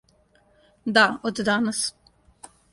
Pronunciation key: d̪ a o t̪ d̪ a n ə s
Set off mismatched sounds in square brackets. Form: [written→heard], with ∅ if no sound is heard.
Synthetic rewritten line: d̪ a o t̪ d̪ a n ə s